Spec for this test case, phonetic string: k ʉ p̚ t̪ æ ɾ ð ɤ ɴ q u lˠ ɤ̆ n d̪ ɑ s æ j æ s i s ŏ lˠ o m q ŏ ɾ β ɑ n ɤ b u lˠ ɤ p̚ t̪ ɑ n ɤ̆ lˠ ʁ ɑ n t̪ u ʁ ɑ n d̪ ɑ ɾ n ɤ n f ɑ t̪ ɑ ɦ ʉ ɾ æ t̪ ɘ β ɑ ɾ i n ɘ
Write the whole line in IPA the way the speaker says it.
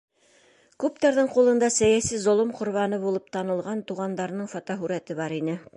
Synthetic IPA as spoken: k ʉ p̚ t̪ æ ɾ ð ɤ ɴ q u lˠ ɤ̆ n d̪ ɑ s æ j æ s i z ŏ lˠ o m q ŏ ɾ β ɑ n ɤ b u lˠ ɤ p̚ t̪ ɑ n ɤ̆ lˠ ʁ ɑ n t̪ u ʁ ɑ n d̪ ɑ ɾ n ɤ ɴ f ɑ t̪ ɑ ɦ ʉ ɾ æ t̪ ɘ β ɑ ɾ i n ɘ